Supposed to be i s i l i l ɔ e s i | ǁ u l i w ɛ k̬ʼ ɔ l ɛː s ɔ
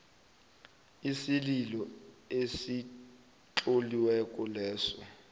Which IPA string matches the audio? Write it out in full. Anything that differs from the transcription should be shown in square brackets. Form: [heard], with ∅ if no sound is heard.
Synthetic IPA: i s i l i l ɔ e s i | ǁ [o] l i w ɛ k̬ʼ ɔ l ɛː s ɔ